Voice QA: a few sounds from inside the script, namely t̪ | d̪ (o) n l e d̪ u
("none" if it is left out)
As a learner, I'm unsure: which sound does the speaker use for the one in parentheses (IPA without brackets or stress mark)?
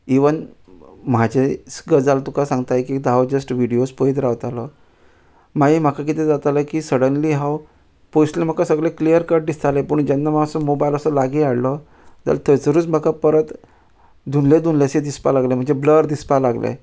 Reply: u